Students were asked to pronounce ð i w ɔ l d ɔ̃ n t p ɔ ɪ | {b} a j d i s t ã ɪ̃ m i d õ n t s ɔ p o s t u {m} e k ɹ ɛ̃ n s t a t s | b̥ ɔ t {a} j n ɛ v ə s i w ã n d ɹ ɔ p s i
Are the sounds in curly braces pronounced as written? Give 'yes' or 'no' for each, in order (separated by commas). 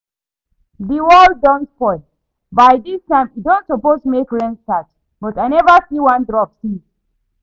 yes, yes, yes